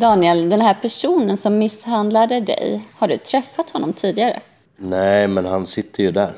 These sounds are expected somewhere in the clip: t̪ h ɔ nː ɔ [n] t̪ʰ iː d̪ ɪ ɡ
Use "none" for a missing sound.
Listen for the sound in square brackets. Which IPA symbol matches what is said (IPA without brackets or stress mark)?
m